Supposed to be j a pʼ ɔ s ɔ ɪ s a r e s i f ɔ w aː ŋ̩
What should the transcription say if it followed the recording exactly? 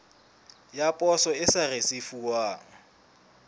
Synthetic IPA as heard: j a pʼ ɔ s ɔ ɪ s a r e s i f u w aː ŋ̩